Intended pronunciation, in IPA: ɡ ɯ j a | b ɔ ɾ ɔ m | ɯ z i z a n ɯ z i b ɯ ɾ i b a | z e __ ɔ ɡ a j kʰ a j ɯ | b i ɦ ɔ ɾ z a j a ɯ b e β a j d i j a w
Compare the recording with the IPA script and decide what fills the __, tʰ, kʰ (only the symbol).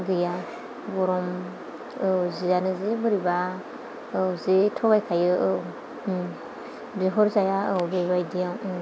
tʰ